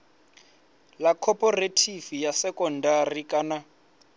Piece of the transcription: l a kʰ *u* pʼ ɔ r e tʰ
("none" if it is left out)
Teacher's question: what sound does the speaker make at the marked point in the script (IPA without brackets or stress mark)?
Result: ɔ